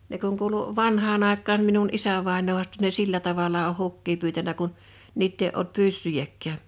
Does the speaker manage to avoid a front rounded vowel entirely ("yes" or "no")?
no